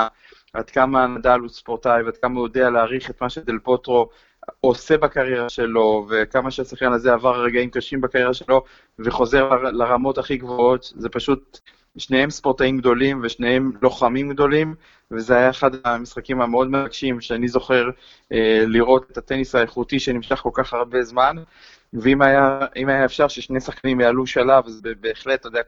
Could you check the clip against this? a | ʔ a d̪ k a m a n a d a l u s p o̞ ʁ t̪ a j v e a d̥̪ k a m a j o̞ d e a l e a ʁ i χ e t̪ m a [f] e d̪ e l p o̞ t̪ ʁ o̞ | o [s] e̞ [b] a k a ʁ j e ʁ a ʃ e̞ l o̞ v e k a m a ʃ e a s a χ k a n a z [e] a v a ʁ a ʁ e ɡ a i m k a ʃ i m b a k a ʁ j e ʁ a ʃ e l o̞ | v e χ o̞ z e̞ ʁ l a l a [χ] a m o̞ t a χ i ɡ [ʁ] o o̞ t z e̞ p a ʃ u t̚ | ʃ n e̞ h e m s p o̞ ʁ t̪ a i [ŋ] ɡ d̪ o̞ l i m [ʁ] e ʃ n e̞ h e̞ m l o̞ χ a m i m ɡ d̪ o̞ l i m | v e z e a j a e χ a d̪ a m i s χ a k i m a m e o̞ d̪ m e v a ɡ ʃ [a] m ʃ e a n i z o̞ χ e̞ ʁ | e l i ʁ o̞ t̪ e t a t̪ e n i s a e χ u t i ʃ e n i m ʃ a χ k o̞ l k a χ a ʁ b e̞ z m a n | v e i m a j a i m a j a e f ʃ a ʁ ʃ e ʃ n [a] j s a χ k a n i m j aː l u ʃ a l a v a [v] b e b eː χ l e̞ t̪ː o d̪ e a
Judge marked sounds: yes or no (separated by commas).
no, yes, yes, yes, no, no, no, no, no, no, no